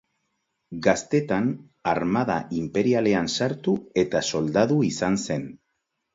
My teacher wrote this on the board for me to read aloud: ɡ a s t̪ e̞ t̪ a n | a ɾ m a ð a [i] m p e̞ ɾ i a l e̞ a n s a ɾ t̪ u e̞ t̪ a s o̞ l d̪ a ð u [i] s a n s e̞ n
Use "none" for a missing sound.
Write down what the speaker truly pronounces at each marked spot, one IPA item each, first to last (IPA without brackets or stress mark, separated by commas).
i, i